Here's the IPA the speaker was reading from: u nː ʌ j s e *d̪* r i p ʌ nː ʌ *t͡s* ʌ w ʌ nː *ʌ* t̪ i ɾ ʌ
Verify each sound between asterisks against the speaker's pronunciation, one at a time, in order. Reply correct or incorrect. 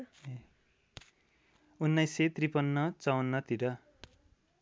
incorrect: t̪, correct, correct

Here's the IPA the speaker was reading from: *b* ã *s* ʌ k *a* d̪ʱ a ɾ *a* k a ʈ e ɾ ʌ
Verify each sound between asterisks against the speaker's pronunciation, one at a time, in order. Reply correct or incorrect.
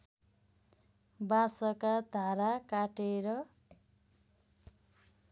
correct, correct, correct, correct

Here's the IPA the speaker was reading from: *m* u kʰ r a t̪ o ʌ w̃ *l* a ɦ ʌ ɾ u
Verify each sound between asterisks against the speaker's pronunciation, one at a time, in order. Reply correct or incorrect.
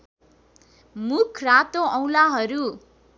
correct, correct

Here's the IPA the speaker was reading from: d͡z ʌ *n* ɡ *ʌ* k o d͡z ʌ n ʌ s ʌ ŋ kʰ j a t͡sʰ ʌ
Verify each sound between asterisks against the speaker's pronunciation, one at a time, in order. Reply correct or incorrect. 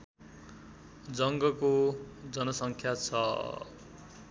incorrect: ŋ, correct

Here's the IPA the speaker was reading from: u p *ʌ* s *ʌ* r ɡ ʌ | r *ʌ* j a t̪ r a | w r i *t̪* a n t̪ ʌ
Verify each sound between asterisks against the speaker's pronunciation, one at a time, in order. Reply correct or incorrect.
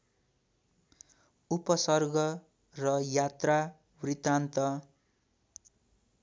correct, correct, correct, correct

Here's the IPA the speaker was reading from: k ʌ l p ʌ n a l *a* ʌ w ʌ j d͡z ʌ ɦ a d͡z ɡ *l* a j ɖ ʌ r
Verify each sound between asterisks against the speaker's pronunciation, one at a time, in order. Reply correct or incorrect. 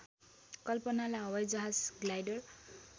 correct, correct

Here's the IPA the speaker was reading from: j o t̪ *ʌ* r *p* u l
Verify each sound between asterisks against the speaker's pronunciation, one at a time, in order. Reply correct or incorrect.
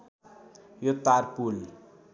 incorrect: a, correct

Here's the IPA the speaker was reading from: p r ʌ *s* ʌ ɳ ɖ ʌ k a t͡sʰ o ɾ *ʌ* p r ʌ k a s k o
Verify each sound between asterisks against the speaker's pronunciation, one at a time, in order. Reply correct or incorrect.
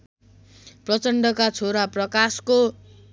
incorrect: t͡s, incorrect: a

